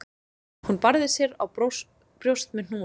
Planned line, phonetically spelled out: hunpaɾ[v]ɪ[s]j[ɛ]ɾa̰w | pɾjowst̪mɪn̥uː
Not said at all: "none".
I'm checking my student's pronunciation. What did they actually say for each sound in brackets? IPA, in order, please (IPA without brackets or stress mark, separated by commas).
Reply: ð, s, ɛ